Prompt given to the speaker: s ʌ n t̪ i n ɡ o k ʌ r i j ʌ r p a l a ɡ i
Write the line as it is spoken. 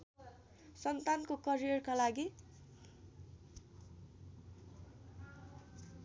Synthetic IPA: s ʌ n t̪ a n k o k ʌ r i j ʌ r k a l a ɡ i